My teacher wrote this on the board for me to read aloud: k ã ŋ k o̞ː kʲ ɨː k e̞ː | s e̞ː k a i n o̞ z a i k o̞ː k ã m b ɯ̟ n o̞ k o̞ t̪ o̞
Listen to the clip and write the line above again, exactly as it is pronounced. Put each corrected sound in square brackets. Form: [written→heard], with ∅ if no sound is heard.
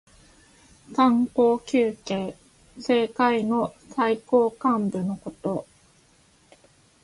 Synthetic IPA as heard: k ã ŋ k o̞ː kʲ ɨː k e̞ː | s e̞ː k a i n o̞ [z→s] a i k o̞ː k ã m b ɯ̟ n o̞ k o̞ t̪ o̞